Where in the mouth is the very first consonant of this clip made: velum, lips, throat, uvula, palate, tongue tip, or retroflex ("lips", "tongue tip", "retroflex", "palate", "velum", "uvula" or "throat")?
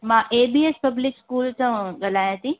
lips